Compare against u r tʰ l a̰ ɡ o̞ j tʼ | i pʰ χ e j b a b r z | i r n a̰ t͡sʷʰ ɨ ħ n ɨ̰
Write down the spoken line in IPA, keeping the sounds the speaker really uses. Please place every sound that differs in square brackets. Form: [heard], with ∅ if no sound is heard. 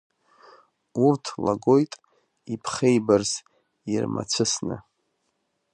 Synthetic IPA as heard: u r tʰ l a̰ ɡ o̞ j tʼ | i pʰ χ e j b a [∅] r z | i r [m] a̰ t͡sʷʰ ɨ [s] n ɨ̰